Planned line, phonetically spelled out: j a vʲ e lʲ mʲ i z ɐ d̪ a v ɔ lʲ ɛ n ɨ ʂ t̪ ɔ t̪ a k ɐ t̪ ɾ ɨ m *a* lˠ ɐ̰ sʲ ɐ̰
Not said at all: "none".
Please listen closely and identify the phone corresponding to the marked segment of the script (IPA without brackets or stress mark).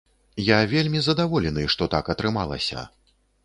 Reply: a